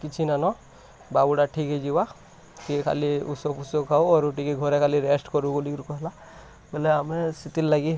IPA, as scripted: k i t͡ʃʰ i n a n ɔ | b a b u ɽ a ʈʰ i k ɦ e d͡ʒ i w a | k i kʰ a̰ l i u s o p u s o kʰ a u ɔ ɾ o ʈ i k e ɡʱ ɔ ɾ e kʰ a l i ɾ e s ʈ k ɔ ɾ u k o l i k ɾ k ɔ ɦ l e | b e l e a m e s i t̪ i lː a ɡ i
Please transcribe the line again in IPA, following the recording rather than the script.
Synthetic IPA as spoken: k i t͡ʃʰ i n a n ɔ | b a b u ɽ a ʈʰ i k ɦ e d͡ʒ i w a | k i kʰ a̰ l i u s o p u s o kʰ a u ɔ ɾ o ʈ i k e ɡʱ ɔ ɾ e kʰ a l i ɾ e s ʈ k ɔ ɾ u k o l i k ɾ k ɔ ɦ l a | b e l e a m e s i t̪ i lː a ɡ i